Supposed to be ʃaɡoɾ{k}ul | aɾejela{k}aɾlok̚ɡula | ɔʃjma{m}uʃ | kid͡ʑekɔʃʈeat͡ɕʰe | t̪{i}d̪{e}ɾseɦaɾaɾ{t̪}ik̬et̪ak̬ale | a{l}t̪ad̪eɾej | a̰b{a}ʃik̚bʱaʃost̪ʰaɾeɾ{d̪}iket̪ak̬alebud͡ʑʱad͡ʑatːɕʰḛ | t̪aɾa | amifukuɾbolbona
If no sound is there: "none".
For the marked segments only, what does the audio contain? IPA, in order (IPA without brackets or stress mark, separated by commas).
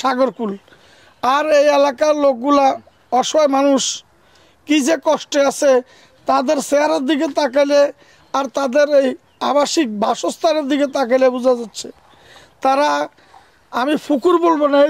k, k, n, a, e, d̪, ɾ, a, d̪